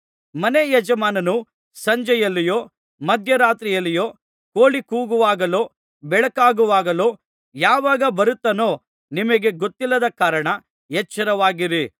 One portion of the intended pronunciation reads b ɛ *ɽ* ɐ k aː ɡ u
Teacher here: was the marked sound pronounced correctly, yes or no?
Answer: no